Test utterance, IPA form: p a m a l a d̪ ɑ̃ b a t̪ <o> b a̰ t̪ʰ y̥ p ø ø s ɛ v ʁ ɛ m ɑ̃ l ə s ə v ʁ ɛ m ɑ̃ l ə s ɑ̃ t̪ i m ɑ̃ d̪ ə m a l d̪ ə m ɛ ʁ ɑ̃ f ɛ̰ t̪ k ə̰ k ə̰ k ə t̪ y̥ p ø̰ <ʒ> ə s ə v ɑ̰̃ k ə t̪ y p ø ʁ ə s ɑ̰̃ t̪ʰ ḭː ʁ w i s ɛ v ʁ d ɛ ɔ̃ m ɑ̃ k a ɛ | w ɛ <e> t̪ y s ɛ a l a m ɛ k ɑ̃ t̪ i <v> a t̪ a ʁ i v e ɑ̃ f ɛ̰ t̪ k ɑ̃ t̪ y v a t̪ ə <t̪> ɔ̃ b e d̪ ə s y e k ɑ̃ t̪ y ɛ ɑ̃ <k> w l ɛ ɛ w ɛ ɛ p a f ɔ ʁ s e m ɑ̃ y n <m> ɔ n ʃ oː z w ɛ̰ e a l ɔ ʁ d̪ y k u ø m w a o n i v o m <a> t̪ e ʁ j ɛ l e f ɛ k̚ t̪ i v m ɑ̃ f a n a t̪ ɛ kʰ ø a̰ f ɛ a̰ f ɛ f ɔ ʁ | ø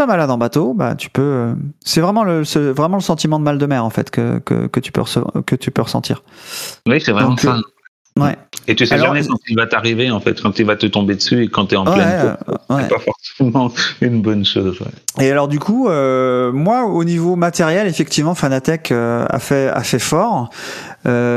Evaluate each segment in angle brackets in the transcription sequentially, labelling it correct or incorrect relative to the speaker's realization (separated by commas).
correct, incorrect, correct, correct, correct, incorrect, incorrect, correct